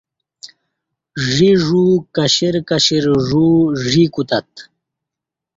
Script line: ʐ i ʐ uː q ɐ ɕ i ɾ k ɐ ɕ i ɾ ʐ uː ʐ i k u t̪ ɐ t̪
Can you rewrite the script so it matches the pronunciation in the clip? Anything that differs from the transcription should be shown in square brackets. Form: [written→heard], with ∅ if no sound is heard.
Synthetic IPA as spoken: ʐ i ʐ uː [q→k] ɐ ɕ i ɾ k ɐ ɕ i ɾ ʐ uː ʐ i k u t̪ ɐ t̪